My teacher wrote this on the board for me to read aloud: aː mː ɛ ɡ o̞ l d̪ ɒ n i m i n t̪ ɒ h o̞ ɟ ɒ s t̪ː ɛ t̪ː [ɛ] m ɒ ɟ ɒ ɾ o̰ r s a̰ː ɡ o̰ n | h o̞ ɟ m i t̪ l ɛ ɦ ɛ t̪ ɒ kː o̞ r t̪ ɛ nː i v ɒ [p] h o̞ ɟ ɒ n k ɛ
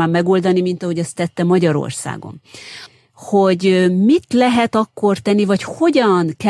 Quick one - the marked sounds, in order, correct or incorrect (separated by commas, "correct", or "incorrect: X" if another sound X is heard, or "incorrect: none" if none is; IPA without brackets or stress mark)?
correct, incorrect: c